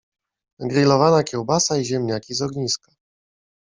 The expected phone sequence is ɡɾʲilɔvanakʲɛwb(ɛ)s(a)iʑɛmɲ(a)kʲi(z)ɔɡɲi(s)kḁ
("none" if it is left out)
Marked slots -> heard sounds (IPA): a, a, a, z, s

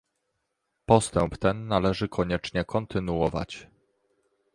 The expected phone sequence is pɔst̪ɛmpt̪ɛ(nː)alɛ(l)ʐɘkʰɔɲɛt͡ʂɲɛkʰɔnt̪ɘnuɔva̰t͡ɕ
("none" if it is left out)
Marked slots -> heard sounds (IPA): nː, none

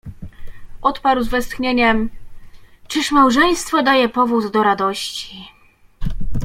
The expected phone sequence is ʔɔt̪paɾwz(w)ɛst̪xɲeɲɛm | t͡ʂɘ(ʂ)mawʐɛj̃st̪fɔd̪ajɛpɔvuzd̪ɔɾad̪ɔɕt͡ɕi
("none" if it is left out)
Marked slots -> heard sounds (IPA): v, ʂ

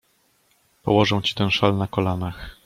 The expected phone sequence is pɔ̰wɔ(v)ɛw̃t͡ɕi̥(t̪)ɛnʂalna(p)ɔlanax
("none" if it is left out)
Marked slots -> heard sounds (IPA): ʐ, t̪, k

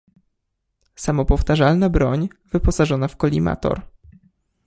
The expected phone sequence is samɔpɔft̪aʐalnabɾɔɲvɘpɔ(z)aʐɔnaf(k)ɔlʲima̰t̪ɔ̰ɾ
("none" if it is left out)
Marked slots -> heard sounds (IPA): s, k

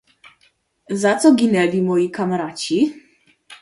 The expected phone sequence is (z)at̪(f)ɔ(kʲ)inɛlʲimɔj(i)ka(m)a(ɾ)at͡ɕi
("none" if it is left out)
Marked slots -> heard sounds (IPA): z, s, ɡʲ, i, m, ɾ

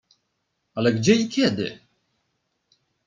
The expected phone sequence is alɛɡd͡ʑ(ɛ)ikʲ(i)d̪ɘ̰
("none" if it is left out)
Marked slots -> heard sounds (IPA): ɛ, ɛ

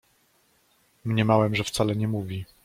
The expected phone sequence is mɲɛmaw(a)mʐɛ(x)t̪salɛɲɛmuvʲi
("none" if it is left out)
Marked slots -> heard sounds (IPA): ɛ, f

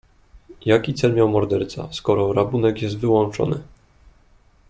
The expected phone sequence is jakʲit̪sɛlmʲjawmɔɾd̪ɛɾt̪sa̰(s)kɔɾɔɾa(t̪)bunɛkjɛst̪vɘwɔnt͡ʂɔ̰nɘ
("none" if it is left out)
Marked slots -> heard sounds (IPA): s, none

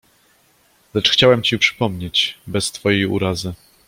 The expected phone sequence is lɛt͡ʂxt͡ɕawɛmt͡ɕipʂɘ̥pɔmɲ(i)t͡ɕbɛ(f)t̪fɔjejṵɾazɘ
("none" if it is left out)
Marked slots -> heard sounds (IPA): e, s

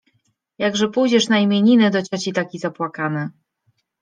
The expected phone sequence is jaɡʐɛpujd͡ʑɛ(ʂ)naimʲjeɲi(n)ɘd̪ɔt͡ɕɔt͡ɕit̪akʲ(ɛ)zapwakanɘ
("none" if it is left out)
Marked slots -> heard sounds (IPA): ʂ, n, i

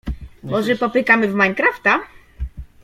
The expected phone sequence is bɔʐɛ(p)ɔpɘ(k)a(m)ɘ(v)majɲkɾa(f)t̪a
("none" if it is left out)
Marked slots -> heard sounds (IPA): p, k, m, v, f

